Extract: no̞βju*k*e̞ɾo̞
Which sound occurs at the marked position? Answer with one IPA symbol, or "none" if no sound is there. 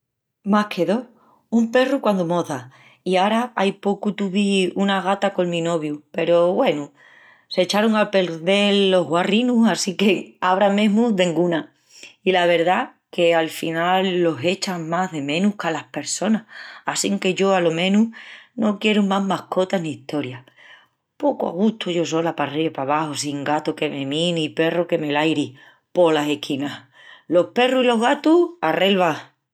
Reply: p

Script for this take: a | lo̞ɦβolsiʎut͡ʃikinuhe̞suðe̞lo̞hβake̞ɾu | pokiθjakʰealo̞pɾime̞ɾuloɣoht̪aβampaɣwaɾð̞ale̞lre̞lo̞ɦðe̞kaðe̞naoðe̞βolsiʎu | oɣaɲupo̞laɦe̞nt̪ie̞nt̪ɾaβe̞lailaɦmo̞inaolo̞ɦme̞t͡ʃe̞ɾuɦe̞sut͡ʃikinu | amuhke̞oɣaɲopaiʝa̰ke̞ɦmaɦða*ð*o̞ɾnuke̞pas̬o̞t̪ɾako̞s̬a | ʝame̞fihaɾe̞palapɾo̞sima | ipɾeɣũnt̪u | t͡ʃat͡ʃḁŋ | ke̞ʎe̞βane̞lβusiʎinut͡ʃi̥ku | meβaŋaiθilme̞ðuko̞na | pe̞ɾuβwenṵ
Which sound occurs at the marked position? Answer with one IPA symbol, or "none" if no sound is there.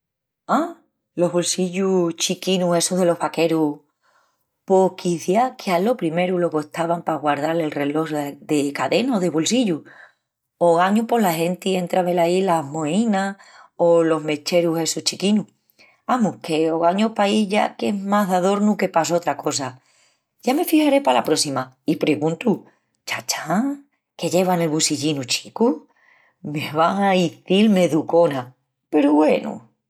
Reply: ð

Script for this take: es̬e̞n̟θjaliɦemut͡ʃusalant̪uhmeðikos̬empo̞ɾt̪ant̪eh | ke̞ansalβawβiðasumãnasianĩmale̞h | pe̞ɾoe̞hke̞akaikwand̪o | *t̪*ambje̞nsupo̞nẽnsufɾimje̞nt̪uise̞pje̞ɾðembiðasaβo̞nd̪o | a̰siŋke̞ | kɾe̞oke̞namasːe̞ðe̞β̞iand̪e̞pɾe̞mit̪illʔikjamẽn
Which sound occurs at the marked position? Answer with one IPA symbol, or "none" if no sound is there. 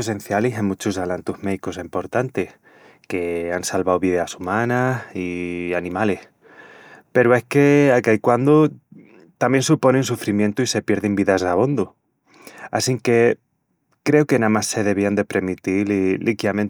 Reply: t̪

